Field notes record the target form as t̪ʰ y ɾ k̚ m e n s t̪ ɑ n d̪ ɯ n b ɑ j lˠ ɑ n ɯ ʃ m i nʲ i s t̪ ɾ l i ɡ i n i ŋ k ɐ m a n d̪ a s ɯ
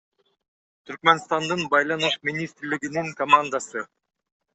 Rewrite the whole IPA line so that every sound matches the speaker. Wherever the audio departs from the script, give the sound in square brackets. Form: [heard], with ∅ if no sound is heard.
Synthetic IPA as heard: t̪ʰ y ɾ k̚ m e n s t̪ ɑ n d̪ ɯ n b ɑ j lˠ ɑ n ɯ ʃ m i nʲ i s t̪ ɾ l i ɡ i n i ŋ k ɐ m a n d̪ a s ɯ